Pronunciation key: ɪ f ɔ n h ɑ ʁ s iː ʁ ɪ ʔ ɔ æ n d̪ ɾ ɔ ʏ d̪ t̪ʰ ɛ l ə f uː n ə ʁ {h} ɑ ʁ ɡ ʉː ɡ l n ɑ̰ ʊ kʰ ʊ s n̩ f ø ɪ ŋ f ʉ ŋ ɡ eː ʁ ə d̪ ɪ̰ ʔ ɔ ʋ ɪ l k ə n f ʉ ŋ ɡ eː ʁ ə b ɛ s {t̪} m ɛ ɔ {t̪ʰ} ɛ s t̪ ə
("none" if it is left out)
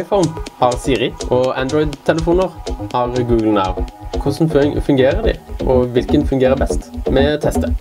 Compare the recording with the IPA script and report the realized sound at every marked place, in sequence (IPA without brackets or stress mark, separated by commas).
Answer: h, t̪, t̪ʰ